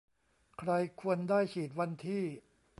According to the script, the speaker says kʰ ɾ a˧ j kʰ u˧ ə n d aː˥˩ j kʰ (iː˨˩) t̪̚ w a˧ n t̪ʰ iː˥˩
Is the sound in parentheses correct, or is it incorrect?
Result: correct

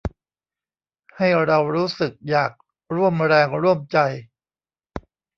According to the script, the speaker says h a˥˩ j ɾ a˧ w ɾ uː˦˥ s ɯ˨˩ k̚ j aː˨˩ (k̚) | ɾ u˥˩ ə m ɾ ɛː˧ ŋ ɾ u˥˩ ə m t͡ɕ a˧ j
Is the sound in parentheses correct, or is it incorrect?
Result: correct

